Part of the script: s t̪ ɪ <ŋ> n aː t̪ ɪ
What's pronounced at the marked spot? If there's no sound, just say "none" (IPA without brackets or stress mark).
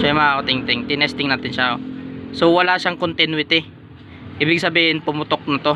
ŋ